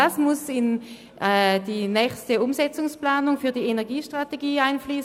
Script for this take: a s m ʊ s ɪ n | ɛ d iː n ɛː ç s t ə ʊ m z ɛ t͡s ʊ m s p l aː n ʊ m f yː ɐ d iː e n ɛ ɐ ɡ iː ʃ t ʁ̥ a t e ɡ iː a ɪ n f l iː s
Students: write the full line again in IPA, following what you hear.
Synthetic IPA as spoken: a s m ʊ s ɪ n | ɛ d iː n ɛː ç s t ə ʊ m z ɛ t͡s ʊ ŋ s p l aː n ʊ ŋ f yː ɐ d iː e n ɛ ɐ ɡ iː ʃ t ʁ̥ a t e ɡ iː a ɪ n f l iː s